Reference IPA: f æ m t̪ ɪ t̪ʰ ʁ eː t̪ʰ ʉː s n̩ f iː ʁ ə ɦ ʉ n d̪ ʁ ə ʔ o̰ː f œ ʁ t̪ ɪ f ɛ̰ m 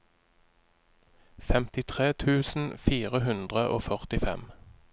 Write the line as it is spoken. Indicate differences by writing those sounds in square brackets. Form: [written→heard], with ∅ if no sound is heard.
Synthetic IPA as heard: f [æ→ɛ] m t̪ ɪ t̪ʰ ʁ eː t̪ʰ ʉː s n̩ f iː ʁ ə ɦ ʉ n d̪ ʁ ə ʔ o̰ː f œ ʁ t̪ ɪ f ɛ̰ m